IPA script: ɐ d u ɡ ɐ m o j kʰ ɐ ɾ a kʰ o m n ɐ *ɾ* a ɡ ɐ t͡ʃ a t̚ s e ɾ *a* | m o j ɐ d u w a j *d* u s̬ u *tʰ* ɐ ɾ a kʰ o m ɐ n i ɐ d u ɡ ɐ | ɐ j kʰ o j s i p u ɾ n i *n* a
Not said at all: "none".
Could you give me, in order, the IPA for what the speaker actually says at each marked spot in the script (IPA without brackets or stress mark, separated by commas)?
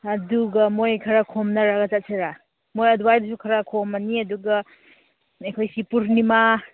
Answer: ɾ, a, d, kʰ, m